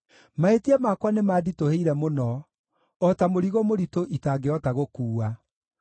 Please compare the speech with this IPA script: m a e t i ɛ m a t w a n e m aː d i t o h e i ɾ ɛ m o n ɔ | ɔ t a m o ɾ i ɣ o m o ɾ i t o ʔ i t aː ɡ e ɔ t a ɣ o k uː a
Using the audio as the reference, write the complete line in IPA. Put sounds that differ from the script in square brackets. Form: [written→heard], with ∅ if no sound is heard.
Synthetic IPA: m a e t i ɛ m a [t→k] w a n e m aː d i t o h e i ɾ ɛ m o n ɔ | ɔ t a m o ɾ i ɣ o m o ɾ i t o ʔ i t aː ɡ e ɔ t a ɣ o k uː a